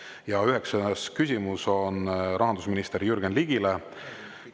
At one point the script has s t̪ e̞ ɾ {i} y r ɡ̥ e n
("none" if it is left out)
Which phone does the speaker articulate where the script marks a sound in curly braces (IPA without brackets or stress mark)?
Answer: j